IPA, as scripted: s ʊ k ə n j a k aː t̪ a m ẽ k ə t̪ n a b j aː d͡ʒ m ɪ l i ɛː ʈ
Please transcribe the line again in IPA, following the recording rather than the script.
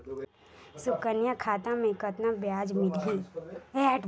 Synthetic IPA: s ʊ k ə n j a kʰ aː t̪ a m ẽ k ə t̪ n a b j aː d͡ʒ m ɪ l i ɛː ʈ

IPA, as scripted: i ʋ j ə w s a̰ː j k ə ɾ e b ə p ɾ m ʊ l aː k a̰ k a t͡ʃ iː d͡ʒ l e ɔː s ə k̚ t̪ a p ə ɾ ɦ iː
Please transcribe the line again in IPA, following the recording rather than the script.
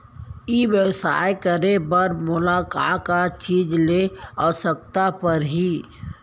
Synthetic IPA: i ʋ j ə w s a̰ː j k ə ɾ e b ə ɾ m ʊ l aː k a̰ k a t͡ʃ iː d͡ʒ l e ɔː s ə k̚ t̪ a p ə ɾ ɦ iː

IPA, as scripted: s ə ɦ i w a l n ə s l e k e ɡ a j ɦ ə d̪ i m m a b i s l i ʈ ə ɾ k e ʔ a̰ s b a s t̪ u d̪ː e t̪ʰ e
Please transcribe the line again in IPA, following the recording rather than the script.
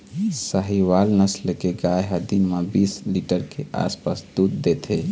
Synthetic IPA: s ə ɦ i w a l n ə s l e k e ɡ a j ɦ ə d̪ i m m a b i s l i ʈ ə ɾ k e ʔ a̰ s p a s d̪ u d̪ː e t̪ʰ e

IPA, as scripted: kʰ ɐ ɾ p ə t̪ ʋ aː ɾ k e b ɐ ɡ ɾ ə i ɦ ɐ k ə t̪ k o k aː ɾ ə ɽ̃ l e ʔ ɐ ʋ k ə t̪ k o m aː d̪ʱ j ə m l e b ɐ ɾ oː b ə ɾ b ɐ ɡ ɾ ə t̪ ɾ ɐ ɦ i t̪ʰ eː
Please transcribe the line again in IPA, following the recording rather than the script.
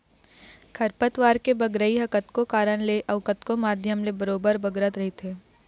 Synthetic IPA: kʰ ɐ ɾ p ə t̪ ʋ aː ɾ k e b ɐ ɡ ɾ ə i ɦ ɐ k ə t̪ k o k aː ɾ ə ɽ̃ l e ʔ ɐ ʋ k ə t̪ k o m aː d̪ʱ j ə m l e b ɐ ɾ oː b ə ɾ b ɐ ɡ ɾ ə t̪ ɾ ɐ ɦ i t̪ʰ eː

